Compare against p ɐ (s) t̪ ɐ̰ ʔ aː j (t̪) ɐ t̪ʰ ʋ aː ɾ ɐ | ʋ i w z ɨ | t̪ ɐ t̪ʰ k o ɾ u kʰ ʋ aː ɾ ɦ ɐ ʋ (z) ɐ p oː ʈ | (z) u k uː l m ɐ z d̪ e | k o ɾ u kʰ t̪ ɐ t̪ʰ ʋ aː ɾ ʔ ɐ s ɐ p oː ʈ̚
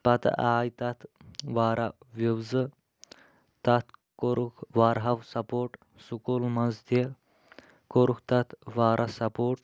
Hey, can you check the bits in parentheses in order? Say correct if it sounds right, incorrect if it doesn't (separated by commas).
incorrect, correct, incorrect, incorrect